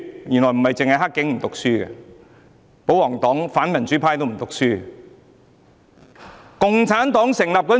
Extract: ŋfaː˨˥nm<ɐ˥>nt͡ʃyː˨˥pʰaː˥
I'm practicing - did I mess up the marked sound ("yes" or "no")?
yes